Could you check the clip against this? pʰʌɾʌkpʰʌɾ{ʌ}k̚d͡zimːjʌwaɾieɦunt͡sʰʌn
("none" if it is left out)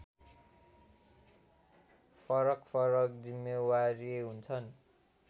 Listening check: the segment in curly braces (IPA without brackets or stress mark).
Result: ʌ